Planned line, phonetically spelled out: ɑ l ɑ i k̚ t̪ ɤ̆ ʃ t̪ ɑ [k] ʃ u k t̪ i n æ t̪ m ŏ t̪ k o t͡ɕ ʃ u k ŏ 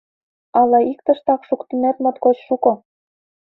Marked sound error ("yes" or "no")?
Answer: no